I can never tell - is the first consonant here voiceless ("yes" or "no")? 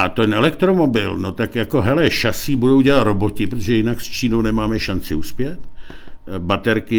yes